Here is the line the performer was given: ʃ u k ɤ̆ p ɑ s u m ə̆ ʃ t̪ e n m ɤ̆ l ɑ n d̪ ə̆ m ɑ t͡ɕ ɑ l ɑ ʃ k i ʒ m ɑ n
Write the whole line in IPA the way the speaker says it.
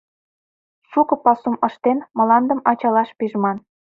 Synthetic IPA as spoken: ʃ u k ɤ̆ p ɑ s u m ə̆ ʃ t̪ e n m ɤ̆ l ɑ n d̪ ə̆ m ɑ t͡ɕ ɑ l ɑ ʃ p i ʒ m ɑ n